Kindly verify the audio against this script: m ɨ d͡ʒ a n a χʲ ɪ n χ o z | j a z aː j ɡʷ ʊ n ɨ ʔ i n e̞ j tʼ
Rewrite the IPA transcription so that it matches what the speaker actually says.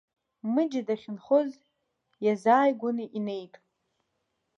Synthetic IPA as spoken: m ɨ d͡ʒ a d a χʲ ɪ n χ o z | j a z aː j ɡʷ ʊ n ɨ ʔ i n e̞ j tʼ